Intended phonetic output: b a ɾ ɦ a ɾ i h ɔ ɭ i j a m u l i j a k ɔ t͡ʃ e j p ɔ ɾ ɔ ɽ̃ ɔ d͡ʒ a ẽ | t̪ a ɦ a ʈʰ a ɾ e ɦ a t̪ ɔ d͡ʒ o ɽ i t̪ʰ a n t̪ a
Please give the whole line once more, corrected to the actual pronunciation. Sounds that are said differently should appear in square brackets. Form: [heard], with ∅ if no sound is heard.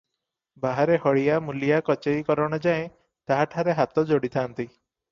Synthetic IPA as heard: b a [∅] ɦ a ɾ [e] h ɔ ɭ i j a m u l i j a k ɔ t͡ʃ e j [k] ɔ ɾ ɔ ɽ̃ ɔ d͡ʒ a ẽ | t̪ a ɦ a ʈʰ a ɾ e ɦ a t̪ ɔ d͡ʒ o ɽ i t̪ʰ a n t̪ [i]

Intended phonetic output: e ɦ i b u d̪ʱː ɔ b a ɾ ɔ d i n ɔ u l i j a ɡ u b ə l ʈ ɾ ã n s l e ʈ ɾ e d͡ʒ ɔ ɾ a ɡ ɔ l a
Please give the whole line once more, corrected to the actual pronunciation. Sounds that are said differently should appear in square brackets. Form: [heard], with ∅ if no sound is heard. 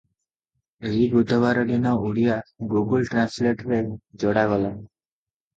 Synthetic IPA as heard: e ɦ i b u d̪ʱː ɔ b a ɾ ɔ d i n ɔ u [ɽ] i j a ɡ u [ɡ] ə l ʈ ɾ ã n s l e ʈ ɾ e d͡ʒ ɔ [ɽ] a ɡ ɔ l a

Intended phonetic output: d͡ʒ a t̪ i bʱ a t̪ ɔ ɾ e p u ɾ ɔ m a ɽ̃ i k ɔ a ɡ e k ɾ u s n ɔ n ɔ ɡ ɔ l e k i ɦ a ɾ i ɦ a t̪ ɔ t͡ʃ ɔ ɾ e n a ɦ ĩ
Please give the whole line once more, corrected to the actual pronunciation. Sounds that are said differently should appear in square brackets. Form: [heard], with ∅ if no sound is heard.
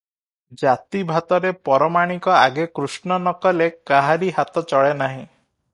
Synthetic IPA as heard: d͡ʒ a t̪ i bʱ a t̪ ɔ ɾ e p [ɔ] ɾ ɔ m a ɽ̃ i k ɔ a ɡ e k ɾ u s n ɔ n ɔ [k] ɔ l e k [a] ɦ a ɾ i ɦ a t̪ ɔ t͡ʃ ɔ [ɭ] e n a ɦ ĩ

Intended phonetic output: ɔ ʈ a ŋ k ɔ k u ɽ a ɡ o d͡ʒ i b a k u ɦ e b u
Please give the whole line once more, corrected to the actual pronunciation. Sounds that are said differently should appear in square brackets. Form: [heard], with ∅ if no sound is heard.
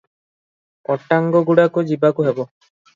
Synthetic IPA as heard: ɔ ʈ a ŋ [ɡ] ɔ [ɡ] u ɽ a [k] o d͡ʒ i b a k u ɦ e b [ɔ]

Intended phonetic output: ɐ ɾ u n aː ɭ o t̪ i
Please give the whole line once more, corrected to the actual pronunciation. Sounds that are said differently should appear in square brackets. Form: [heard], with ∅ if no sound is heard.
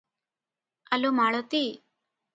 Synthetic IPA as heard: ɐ [l] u [m] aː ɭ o t̪ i

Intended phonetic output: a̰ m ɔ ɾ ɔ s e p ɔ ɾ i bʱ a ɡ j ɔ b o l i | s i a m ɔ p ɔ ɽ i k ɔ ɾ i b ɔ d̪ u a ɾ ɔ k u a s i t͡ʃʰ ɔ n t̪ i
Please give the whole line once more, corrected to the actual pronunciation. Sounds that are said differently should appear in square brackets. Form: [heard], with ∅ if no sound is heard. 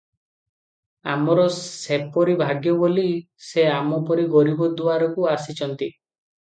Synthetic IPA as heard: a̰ m ɔ ɾ ɔ s e p ɔ ɾ i bʱ a ɡ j ɔ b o l i | s [e] a m ɔ p ɔ [ɾ] i [ɡ] ɔ ɾ i b ɔ d̪ u a ɾ ɔ k u a s i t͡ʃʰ ɔ n t̪ i

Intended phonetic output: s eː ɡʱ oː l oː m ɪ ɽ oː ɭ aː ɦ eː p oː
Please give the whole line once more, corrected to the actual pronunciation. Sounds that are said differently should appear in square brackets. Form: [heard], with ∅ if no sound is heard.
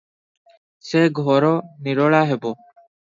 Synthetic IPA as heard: s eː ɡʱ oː [ɾ] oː [n] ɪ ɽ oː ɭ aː ɦ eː [b] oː

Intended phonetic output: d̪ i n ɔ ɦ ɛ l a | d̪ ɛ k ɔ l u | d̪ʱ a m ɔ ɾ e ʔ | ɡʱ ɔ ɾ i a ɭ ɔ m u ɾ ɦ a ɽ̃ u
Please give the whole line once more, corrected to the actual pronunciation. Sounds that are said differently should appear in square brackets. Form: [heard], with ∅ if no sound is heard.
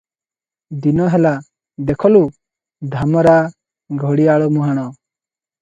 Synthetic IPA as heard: d̪ i n ɔ ɦ ɛ l a | d̪ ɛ [kʰ] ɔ l u | d̪ʱ a m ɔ ɾ [a] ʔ | ɡʱ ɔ [ɽ] i a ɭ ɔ m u [∅] ɦ a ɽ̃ [ɔ]

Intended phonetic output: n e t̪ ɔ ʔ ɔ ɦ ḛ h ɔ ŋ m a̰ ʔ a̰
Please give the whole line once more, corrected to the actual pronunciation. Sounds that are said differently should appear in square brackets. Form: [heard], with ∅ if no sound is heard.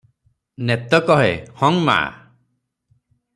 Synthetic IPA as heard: n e t̪ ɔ [k] ɔ ɦ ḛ h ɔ ŋ m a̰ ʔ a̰

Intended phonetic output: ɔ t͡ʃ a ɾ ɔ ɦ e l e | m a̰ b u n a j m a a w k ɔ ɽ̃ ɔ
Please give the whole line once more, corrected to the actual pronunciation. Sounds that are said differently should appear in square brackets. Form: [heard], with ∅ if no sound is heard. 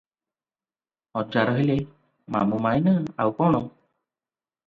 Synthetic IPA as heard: ɔ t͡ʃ a ɾ ɔ ɦ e l e | m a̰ [m] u [m] a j [n] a a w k ɔ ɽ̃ ɔ

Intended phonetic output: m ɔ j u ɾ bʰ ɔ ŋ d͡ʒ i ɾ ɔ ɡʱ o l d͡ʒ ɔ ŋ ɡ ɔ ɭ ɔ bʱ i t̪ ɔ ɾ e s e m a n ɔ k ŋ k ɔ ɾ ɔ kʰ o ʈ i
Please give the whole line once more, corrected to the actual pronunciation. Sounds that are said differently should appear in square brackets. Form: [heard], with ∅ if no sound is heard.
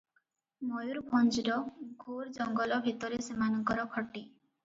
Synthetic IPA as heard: m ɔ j u ɾ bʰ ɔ [n] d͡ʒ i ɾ ɔ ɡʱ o [ɾ] d͡ʒ ɔ ŋ ɡ ɔ [l] ɔ bʱ i t̪ ɔ ɾ e s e m a n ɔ [∅] ŋ k ɔ ɾ ɔ kʰ [ɔ] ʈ i

